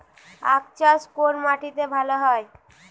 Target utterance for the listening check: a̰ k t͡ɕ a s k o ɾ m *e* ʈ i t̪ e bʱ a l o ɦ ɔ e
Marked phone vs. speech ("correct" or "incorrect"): incorrect